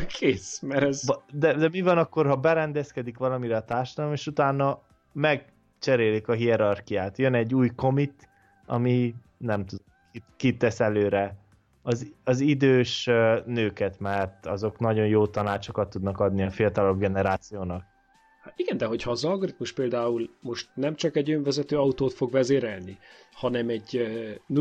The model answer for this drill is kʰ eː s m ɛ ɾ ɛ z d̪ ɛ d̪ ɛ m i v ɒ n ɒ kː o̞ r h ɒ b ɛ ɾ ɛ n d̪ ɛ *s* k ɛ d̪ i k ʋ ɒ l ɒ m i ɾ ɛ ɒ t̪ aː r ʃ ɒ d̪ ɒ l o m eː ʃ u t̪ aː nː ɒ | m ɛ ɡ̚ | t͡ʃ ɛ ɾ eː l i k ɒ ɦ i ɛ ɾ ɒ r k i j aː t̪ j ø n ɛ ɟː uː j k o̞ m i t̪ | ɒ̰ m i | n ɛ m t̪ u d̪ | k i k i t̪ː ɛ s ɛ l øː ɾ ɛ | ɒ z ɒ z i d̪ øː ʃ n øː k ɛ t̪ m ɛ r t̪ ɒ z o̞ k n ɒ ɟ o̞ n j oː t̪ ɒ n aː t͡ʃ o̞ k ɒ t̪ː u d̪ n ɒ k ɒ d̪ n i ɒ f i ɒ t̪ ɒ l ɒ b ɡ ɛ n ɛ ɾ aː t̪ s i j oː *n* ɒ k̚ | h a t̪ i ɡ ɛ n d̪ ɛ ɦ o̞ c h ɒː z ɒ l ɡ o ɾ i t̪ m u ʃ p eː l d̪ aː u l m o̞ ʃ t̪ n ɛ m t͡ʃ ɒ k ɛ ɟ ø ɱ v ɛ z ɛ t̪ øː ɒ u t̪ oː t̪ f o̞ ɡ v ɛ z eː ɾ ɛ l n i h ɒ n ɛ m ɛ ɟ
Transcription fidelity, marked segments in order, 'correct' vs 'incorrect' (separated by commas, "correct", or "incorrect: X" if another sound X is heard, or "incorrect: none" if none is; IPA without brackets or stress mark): correct, correct